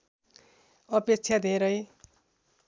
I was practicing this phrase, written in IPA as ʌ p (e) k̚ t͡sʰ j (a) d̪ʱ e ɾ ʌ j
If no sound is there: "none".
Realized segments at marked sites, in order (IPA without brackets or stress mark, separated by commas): e, a